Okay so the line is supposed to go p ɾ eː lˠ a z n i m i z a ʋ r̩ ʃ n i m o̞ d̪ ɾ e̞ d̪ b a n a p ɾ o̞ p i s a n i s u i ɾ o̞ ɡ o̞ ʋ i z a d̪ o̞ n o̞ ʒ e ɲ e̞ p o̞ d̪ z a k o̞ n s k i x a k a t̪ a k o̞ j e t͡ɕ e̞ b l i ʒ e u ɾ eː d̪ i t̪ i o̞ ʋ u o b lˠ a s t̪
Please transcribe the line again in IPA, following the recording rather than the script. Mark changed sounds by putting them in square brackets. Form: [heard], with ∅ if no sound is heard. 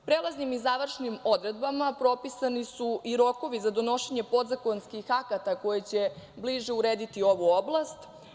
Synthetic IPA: p ɾ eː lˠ a z n i m i z a ʋ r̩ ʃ n i m o̞ d̪ ɾ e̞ d̪ b a [m] a p ɾ o̞ p i s a n i s u i ɾ o̞ [k] o̞ ʋ i z a d̪ o̞ n o̞ [ʃ] e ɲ e̞ p o̞ d̪ z a k o̞ n s k i x a k a t̪ a k o̞ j e t͡ɕ e̞ b l i ʒ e u ɾ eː d̪ i t̪ i o̞ ʋ u o b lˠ a s t̪